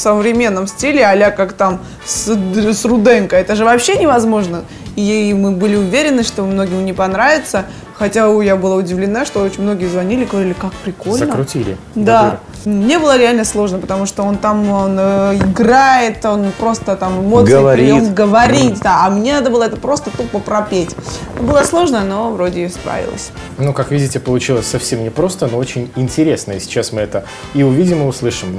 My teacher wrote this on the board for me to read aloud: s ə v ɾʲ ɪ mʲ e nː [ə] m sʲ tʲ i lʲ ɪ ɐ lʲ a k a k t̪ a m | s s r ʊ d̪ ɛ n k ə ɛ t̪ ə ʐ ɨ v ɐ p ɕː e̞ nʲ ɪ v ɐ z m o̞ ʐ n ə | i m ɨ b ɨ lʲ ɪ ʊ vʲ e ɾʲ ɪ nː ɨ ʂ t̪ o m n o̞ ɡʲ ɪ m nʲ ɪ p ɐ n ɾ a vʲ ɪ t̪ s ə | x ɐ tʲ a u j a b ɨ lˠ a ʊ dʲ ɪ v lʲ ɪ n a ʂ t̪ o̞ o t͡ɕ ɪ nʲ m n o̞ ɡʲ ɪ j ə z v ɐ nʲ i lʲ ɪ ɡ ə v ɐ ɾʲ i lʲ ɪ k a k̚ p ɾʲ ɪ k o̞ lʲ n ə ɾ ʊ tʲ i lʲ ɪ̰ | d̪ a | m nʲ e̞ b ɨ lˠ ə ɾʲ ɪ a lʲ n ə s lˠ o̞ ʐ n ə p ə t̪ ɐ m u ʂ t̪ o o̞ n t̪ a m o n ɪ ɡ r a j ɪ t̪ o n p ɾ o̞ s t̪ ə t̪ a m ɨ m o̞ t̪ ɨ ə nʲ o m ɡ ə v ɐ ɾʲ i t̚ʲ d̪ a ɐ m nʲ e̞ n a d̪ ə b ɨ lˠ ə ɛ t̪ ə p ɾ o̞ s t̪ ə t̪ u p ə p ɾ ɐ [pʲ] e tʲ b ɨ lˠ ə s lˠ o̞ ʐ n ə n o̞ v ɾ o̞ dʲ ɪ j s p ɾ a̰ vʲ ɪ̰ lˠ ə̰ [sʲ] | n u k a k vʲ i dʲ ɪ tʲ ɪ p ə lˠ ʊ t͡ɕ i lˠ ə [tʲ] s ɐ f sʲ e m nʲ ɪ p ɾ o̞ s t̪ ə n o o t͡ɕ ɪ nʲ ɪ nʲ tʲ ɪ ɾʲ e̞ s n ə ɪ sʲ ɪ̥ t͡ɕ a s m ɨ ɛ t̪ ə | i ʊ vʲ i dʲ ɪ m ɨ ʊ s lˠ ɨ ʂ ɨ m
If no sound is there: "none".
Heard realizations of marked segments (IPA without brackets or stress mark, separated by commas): ə, pʲ, sʲ, sʲ